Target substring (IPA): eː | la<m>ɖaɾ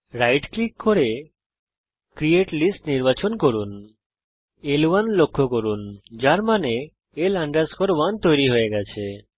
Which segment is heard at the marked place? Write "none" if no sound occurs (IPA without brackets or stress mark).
ɳ